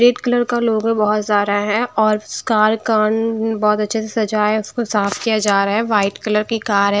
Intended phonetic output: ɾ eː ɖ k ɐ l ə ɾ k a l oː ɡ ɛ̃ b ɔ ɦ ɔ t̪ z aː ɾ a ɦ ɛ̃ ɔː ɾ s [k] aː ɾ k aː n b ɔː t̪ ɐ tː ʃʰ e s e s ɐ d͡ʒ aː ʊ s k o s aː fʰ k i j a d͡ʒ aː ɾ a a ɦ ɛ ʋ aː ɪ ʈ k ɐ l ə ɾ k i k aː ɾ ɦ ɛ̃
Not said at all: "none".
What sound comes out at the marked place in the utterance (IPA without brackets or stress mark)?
k